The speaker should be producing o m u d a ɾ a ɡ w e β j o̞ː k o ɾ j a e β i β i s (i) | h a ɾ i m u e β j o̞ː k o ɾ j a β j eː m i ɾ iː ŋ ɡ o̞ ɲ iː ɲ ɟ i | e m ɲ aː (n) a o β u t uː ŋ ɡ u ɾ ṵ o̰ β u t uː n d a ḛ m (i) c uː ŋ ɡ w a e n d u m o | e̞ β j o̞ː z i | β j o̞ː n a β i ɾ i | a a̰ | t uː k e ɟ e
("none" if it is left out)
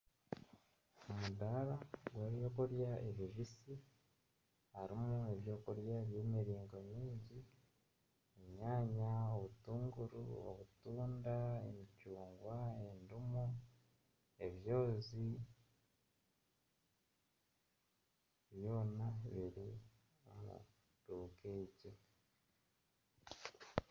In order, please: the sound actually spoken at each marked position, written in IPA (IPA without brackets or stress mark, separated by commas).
i, ɲ, i